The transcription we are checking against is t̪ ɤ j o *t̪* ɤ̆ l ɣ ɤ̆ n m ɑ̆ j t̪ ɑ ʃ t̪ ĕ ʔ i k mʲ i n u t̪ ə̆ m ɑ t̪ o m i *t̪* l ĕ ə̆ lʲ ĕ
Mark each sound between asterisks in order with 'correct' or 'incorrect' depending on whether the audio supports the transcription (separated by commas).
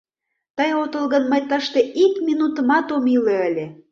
correct, incorrect